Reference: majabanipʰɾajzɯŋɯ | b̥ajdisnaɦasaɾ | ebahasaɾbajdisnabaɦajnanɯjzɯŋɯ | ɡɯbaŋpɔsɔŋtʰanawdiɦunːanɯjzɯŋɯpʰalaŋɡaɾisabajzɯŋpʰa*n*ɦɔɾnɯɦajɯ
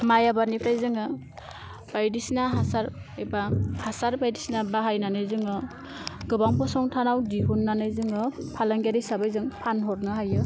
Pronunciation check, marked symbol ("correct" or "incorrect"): correct